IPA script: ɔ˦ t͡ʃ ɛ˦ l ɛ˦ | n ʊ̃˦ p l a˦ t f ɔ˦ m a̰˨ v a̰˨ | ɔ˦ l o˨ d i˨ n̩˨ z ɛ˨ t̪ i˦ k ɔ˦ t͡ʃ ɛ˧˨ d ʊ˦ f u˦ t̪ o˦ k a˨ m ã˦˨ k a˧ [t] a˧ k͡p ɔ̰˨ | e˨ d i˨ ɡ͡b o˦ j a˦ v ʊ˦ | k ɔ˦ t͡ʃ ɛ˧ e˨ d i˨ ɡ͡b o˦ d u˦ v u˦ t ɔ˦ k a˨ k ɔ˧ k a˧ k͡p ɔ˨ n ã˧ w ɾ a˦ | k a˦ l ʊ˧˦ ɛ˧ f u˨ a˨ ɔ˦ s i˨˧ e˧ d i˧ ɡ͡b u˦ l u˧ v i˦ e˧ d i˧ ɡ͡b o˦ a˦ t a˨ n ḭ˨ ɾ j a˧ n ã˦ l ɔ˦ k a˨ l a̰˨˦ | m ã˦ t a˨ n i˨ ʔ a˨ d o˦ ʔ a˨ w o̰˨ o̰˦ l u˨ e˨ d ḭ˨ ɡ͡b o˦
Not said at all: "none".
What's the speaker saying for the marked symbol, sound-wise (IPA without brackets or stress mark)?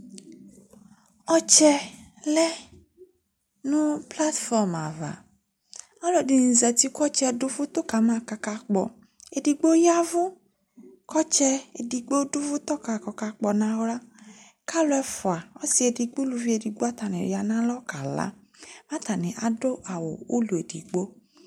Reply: k